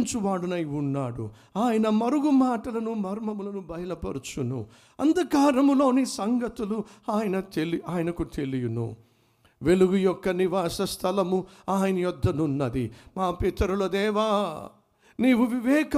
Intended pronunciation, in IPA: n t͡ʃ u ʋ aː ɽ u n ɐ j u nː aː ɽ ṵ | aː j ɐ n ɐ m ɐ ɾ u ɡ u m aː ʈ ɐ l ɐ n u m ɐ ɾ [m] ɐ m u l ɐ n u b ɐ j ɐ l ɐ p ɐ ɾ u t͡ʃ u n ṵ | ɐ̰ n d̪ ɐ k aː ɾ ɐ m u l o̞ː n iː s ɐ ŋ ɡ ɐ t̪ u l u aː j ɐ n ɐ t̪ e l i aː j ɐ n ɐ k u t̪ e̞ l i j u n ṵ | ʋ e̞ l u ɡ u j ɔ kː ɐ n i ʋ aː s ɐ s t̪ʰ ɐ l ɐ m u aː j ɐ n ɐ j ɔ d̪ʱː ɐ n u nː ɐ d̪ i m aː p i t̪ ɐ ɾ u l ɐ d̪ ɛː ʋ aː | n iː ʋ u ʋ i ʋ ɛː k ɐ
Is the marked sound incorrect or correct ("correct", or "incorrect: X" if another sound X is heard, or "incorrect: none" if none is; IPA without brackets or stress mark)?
correct